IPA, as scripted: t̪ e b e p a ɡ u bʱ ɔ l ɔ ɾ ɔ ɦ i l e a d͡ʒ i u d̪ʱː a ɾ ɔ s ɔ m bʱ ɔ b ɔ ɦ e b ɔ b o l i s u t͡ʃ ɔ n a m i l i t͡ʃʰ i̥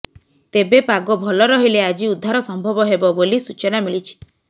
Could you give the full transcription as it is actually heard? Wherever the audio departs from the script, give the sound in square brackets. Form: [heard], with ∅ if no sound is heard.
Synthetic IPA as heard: t̪ e b e p a ɡ [ɔ] bʱ ɔ l ɔ ɾ ɔ ɦ i l e a d͡ʒ i u d̪ʱː a ɾ ɔ s ɔ m bʱ ɔ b ɔ ɦ e b ɔ b o l i s u t͡ʃ ɔ n a m i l i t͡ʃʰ i̥